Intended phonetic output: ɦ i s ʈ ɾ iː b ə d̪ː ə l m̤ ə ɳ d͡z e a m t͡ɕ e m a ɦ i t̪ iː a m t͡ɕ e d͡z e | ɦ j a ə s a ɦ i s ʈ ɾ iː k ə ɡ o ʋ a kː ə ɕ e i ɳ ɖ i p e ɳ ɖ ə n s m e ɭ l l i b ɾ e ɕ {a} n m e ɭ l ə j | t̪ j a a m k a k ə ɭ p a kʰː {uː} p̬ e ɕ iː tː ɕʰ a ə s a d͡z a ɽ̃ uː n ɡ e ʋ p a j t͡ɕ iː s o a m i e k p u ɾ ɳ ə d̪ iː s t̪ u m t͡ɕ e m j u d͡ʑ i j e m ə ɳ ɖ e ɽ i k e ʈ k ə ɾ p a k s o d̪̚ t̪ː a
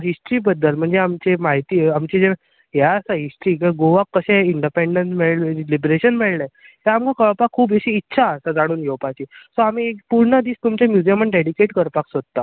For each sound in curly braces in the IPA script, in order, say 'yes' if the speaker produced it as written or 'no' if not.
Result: no, yes

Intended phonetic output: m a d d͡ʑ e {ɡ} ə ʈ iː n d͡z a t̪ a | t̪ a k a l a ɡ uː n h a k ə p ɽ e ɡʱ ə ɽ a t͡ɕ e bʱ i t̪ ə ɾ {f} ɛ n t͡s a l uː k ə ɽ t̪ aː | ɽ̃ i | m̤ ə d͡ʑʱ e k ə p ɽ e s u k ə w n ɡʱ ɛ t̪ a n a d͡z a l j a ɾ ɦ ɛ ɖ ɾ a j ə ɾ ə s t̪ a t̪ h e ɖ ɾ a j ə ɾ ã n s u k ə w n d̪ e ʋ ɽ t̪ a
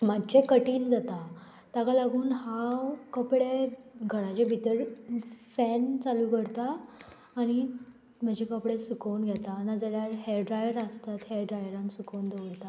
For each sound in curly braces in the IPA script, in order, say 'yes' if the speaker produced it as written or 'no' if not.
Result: no, yes

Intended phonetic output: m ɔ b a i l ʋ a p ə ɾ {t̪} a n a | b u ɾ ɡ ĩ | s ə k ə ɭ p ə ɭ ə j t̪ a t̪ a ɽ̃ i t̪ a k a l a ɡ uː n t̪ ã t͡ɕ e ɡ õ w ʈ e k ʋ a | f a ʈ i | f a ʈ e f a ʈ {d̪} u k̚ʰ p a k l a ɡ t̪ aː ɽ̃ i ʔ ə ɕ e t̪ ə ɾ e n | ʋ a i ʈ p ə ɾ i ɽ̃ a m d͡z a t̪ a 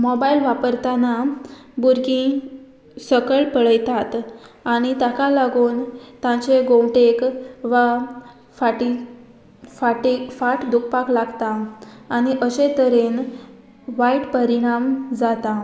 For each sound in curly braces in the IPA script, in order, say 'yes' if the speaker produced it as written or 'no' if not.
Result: yes, yes

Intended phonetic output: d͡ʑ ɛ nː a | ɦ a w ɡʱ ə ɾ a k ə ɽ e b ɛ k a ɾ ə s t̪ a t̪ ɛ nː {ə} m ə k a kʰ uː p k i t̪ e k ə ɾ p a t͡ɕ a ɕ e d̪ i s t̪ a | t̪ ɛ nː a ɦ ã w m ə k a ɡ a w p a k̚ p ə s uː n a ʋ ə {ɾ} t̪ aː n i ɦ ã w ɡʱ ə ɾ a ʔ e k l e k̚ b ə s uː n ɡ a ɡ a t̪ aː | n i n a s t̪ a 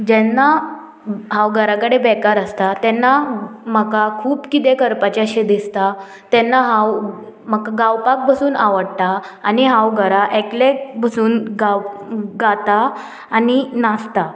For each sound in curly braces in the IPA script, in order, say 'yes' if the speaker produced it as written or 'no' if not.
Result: no, no

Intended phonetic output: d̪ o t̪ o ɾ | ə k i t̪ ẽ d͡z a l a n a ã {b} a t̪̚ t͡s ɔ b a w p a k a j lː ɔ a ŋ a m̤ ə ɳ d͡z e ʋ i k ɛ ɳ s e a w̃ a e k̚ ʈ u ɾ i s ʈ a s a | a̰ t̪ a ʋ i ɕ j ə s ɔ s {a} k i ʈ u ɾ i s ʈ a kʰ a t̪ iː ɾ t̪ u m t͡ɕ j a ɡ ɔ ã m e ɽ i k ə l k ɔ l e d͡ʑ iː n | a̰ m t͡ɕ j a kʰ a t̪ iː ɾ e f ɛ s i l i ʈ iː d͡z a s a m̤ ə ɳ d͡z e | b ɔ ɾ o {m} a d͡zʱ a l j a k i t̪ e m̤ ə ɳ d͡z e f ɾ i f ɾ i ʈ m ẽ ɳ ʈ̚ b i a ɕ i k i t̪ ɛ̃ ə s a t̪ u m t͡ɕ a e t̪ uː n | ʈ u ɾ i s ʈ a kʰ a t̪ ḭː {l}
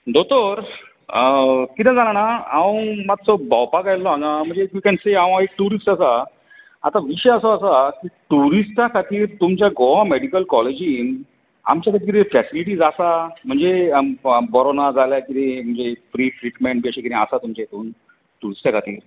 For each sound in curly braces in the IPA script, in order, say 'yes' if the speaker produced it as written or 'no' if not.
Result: no, yes, no, no

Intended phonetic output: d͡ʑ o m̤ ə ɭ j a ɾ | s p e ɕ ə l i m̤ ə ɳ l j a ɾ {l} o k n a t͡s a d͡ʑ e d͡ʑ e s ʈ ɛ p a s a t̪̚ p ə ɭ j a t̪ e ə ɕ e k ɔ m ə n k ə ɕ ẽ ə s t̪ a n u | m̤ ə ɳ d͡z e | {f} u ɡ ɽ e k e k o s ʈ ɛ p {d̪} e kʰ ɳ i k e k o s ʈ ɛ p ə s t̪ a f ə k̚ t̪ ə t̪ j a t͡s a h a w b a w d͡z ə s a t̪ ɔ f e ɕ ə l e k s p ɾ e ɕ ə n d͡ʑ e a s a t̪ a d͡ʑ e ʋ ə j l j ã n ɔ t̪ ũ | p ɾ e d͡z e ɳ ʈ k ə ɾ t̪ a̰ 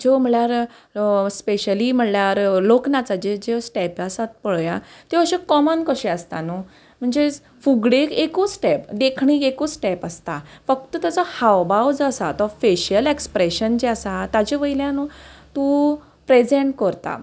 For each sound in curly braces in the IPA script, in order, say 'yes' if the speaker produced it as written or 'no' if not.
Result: yes, yes, yes

